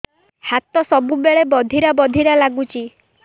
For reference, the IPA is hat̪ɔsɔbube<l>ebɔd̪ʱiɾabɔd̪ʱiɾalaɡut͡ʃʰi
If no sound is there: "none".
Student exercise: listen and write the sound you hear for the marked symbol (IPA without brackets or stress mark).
ɭ